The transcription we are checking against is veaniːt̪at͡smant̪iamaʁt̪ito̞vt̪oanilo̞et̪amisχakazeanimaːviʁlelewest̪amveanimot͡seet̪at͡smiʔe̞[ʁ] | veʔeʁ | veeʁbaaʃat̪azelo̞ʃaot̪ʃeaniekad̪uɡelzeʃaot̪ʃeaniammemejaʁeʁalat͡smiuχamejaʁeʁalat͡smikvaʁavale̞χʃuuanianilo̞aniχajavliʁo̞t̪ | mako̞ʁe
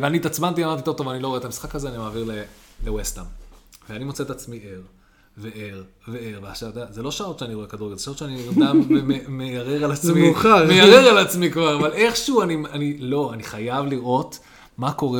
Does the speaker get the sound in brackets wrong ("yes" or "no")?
no